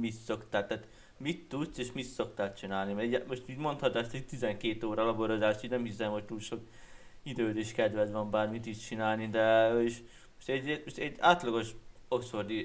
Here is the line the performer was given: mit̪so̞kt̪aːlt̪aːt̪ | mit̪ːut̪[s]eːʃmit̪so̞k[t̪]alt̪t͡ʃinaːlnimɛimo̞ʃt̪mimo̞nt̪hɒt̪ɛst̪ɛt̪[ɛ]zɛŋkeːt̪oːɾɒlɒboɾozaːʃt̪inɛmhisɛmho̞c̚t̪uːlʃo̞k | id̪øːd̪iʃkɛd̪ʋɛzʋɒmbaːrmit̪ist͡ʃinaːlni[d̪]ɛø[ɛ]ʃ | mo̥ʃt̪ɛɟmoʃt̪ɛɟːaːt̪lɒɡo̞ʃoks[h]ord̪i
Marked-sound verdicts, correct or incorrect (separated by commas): correct, correct, incorrect, correct, incorrect, incorrect